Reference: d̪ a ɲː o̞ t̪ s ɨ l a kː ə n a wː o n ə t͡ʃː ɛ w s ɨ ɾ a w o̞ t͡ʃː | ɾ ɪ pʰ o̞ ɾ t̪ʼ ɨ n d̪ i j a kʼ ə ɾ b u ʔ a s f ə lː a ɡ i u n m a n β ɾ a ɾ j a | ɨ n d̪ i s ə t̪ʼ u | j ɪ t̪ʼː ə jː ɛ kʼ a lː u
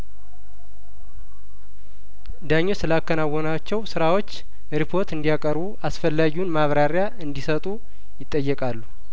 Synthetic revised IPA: d̪ a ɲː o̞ s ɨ l a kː ə n a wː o n a t͡ʃː ɛ w s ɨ ɾ a w o̞ t͡ʃː | ɾ i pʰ o̞ ɾ t̪ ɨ n d̪ i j a kʼ ə ɾ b u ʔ a s f ə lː a ɡ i u n m a β ɾ a ɾ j a | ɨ n d̪ i s ə t̪ʼ u | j ɪ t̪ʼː ə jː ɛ kʼ a lː u